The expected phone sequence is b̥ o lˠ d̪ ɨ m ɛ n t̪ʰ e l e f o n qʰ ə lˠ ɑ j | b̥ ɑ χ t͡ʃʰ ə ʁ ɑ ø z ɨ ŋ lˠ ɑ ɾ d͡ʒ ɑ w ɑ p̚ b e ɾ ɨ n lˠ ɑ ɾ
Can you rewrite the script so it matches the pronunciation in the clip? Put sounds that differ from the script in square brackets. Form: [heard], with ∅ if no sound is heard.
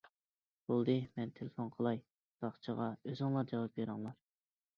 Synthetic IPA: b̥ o lˠ d̪ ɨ m ɛ n t̪ʰ e l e f o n qʰ ə lˠ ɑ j | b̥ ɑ χ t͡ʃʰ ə ʁ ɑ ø z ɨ ŋ lˠ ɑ ɾ d͡ʒ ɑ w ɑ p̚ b e ɾ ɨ [ŋ] lˠ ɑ ɾ